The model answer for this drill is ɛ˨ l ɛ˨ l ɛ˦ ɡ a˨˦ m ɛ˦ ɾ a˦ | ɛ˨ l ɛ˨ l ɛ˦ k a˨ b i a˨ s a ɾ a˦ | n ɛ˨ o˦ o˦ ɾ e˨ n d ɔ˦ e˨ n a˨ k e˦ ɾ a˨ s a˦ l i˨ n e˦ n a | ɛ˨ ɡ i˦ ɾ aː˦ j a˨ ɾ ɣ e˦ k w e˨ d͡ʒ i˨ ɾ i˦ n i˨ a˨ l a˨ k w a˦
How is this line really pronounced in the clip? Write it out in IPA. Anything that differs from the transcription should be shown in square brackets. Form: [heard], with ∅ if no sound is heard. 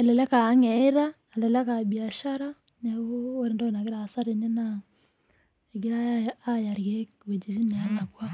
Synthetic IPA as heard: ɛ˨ l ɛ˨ l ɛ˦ [k] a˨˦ [ŋ] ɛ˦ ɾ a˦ | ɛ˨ l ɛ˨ l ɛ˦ k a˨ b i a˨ [ʃ] a ɾ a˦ | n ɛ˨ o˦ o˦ ɾ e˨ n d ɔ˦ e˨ n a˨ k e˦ ɾ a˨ s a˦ [ɾ] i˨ n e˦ n a | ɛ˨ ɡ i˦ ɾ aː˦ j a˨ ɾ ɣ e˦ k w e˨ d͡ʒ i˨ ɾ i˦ n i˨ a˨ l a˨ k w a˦

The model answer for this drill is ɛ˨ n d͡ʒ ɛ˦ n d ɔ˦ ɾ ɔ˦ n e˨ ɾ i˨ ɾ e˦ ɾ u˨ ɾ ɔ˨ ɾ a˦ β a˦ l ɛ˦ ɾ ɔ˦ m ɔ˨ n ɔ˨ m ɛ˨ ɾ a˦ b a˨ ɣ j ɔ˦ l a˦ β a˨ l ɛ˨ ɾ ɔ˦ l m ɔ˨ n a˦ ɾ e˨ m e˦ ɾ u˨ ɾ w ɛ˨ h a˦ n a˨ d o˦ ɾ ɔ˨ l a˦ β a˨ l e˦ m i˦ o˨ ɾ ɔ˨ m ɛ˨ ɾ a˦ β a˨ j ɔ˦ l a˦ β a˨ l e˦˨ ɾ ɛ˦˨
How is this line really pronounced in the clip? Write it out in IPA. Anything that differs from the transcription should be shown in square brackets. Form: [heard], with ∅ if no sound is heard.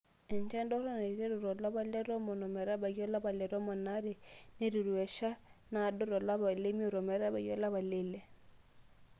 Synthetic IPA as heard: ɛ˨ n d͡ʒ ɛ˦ n d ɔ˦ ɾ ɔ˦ n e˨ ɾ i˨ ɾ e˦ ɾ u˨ ɾ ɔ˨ [l] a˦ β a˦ l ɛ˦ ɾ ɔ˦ m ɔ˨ n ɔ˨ m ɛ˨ ɾ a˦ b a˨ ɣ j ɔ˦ l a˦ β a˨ l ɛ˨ ɾ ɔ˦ [∅] m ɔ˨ n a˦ ɾ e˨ [n] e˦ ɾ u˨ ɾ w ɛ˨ [ʃ] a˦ n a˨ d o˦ ɾ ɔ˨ l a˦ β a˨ l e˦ m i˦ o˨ ɾ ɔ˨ m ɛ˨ ɾ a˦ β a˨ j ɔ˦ l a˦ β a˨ l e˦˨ [l] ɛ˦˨

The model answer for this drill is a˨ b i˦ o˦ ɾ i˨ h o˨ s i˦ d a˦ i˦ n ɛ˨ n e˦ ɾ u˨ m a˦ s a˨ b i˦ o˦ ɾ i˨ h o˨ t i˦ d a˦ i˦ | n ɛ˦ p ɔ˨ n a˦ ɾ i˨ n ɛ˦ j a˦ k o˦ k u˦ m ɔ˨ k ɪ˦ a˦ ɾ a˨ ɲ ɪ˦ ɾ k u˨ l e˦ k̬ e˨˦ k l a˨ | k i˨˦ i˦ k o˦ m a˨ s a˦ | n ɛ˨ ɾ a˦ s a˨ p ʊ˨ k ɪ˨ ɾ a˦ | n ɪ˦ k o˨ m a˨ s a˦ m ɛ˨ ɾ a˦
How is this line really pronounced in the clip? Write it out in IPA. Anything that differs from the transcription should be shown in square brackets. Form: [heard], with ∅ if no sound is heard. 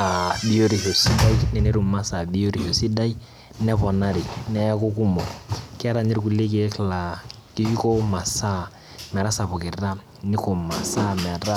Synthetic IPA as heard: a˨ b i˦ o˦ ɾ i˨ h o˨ s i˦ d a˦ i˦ n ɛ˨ n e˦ ɾ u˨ m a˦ s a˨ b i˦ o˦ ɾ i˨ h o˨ [s] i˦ d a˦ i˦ | n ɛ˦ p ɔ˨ n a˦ ɾ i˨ n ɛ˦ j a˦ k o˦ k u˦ m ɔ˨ k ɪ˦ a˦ ɾ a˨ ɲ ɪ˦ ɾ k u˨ l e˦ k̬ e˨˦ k l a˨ | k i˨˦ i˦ k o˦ m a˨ s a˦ | [m] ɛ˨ ɾ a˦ s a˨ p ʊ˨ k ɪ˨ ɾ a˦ | n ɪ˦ k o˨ m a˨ s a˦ m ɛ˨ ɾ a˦

